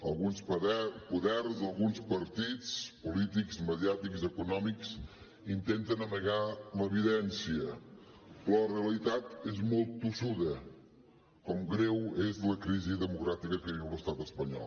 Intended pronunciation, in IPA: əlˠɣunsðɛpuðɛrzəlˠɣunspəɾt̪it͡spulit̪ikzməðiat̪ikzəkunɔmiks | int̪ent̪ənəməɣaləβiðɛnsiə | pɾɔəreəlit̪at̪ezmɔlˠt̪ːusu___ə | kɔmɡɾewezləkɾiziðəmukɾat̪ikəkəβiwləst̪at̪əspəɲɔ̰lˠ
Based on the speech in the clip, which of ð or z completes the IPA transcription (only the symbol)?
ð